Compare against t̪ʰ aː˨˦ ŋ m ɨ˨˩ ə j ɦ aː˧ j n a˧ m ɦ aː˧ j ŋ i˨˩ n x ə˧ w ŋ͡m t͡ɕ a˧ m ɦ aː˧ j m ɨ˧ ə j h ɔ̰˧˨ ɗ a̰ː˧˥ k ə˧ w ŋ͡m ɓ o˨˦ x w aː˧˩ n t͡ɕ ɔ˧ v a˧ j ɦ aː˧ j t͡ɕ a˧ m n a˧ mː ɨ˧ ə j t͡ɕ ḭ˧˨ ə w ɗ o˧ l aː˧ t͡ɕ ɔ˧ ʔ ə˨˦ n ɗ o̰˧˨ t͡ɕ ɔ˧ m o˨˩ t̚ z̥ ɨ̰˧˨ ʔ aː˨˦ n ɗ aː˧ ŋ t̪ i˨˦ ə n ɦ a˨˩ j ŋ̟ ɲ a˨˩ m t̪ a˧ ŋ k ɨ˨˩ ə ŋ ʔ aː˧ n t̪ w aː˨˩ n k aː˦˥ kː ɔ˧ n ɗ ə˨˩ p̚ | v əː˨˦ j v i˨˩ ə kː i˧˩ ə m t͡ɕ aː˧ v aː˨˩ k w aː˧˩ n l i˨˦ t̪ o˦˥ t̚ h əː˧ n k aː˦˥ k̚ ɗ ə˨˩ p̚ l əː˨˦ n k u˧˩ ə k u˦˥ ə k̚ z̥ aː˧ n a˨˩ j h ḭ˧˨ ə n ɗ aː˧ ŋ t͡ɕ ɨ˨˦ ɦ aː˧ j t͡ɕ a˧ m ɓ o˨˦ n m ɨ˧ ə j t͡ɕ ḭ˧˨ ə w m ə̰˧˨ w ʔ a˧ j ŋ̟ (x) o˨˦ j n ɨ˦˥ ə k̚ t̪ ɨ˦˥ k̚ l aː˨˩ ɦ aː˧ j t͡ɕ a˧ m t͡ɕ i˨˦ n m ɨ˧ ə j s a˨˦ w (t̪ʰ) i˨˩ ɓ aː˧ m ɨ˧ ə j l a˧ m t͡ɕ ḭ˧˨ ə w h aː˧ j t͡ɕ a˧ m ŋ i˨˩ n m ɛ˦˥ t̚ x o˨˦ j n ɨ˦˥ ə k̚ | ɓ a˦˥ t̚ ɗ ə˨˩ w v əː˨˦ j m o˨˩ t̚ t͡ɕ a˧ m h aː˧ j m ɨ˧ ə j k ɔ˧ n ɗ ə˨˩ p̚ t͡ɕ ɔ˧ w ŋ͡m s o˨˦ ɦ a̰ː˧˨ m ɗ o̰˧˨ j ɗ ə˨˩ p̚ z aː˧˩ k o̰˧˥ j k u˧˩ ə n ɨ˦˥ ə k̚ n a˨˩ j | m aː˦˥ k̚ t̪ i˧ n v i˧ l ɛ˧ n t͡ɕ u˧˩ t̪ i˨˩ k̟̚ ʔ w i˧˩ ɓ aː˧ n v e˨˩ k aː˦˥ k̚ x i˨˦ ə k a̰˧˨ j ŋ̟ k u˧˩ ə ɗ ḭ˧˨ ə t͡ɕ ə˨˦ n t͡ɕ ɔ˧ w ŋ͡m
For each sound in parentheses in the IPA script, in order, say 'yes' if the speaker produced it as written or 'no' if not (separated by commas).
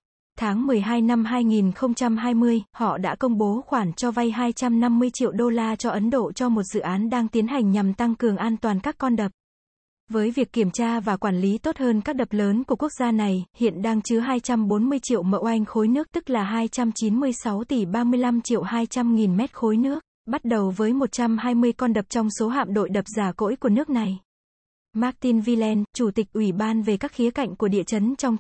yes, no